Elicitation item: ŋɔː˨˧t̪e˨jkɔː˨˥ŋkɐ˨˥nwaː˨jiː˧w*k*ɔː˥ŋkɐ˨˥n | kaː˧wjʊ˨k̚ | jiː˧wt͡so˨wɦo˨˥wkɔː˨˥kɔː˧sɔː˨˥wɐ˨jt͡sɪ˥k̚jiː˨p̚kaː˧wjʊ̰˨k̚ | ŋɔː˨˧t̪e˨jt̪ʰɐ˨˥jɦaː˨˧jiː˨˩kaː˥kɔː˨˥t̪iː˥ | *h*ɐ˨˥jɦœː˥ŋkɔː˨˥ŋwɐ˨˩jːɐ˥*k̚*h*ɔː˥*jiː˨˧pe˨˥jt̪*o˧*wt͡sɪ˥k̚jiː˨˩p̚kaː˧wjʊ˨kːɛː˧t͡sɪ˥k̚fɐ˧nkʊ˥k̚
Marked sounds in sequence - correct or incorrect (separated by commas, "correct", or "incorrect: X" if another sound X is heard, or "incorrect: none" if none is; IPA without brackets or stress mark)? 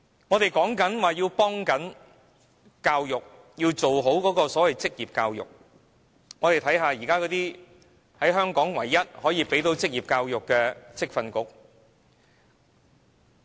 incorrect: p, correct, incorrect: t̚, incorrect: ɔː˨˥, incorrect: o˨˥